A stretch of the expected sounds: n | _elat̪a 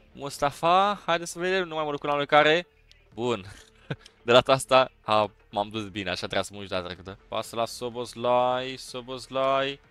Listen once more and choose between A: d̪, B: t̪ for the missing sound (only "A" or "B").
A